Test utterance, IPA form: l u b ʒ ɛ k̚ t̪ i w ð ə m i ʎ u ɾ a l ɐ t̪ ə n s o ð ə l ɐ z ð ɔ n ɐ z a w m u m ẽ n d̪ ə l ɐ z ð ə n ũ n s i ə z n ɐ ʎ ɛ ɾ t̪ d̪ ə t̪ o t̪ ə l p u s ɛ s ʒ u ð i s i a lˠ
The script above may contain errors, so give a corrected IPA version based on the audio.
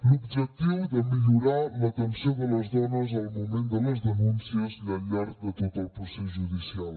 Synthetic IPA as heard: l u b ʒ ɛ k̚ t̪ i w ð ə m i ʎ u ɾ a l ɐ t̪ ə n s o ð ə l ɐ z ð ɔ n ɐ z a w m u m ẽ n d̪ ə l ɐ z ð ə n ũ n s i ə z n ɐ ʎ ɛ ɾ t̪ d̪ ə t̪ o t̪ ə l p u s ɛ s ʒ u ð i s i a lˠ